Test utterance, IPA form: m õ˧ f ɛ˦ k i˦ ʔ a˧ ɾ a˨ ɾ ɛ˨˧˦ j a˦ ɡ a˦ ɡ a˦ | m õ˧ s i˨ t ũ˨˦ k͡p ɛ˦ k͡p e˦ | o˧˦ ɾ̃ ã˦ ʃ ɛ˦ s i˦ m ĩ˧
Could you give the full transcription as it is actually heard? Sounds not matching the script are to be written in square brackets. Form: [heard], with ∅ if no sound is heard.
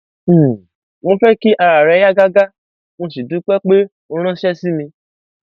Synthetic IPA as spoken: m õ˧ f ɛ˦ k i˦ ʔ a˧ ɾ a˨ ɾ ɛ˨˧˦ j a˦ ɡ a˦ ɡ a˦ | m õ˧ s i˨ [d] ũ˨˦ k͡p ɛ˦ k͡p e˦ | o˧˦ ɾ̃ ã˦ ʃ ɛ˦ s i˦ m ĩ˧